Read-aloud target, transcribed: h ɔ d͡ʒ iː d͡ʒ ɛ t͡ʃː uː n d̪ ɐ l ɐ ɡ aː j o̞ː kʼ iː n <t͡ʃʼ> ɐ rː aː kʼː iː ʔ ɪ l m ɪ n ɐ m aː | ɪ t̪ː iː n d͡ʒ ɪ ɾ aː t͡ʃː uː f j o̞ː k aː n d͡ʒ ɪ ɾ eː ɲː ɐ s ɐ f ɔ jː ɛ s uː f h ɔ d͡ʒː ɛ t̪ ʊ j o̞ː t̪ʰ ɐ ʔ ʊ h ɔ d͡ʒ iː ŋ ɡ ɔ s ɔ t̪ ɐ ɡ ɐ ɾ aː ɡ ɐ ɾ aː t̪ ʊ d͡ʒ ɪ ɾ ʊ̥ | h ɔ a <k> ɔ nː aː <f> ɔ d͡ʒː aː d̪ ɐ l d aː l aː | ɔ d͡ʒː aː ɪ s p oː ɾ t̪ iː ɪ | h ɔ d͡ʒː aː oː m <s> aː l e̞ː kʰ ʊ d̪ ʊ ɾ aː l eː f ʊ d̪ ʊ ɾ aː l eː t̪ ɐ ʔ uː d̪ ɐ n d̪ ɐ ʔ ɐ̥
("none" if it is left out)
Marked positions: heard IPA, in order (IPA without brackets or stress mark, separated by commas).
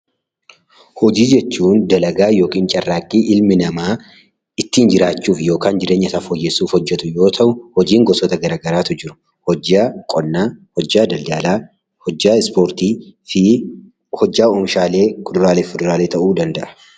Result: t͡ʃʼ, kʼ, h, ʃ